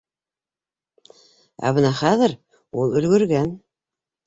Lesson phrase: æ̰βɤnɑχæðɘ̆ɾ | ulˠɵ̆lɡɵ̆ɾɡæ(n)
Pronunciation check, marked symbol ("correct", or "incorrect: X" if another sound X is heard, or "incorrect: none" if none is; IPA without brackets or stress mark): correct